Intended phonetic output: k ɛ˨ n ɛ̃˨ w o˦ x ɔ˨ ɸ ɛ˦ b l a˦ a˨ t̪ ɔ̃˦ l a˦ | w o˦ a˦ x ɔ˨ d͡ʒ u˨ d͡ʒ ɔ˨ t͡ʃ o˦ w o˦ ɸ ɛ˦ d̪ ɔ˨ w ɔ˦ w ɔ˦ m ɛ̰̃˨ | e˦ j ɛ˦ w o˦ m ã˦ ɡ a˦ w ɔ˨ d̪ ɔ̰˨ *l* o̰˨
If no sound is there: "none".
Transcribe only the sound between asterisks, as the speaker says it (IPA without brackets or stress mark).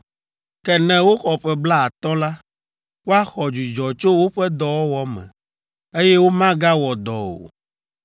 none